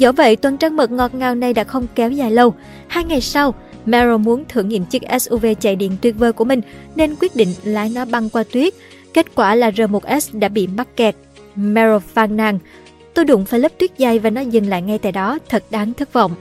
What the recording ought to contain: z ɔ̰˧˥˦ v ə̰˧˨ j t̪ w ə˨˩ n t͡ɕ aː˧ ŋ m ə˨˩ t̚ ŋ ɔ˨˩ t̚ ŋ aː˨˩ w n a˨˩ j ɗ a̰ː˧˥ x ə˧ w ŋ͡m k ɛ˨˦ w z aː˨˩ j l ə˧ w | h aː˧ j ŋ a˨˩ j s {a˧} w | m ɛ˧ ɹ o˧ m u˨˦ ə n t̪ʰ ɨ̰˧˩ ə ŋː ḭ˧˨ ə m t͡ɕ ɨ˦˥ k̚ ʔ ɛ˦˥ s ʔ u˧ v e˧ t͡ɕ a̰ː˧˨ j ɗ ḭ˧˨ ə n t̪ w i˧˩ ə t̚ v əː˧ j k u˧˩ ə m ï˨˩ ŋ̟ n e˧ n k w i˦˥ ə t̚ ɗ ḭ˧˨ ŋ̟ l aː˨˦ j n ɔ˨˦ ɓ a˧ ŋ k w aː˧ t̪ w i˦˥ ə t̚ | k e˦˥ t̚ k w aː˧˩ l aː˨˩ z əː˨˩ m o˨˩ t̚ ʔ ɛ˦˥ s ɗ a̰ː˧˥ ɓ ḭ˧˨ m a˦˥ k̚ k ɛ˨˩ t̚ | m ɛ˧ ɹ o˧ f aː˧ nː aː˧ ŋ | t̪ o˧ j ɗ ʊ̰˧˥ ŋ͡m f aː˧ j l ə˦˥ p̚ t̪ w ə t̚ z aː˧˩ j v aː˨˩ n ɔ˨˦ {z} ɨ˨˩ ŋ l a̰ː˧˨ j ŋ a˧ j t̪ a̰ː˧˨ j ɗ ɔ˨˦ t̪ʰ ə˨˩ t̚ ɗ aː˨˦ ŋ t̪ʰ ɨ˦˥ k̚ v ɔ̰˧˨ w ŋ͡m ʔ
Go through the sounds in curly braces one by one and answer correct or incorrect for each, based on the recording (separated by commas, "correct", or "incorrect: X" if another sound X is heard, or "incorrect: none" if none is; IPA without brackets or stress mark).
correct, correct